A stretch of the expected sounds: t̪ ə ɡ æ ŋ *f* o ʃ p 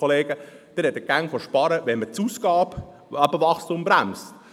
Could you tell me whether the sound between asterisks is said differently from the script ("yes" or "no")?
no